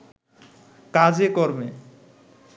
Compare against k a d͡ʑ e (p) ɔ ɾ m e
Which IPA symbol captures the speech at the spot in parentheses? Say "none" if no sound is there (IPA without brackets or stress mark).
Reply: k